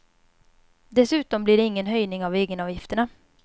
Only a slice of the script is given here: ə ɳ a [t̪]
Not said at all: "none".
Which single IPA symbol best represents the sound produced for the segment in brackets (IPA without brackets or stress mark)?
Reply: none